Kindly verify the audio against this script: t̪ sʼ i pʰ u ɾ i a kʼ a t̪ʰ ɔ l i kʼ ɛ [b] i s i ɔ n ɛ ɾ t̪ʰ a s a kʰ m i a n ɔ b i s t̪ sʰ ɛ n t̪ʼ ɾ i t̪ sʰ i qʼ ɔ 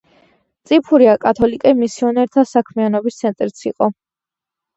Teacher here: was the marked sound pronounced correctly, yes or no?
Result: no